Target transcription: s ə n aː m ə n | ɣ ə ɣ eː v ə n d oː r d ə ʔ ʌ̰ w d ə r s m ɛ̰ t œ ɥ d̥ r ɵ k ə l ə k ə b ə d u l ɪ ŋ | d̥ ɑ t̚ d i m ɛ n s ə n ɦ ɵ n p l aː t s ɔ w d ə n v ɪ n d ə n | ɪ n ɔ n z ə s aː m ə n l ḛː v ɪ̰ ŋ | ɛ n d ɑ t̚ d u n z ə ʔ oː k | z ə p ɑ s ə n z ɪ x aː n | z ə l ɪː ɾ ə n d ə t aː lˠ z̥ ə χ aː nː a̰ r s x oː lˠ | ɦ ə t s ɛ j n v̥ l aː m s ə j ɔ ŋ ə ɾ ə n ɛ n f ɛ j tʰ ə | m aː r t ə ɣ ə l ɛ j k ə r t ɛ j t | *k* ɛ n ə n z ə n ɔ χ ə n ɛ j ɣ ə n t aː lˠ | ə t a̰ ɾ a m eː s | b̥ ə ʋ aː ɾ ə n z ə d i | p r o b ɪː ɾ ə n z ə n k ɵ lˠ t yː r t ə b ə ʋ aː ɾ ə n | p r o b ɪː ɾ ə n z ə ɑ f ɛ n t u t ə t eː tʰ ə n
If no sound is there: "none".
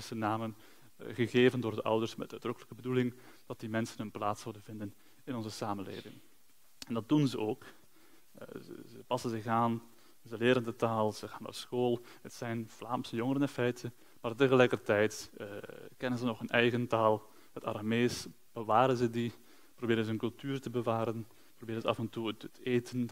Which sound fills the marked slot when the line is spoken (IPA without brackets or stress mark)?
k